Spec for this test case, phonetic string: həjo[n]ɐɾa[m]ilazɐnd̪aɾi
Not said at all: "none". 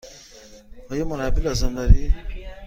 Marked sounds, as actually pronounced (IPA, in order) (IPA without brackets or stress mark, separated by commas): m, b